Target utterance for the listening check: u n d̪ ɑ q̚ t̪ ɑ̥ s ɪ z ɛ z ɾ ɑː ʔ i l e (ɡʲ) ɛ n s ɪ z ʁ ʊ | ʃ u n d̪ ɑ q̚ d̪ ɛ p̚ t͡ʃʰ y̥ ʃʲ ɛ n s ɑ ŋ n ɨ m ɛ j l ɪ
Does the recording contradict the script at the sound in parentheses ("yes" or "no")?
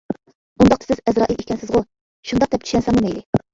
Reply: yes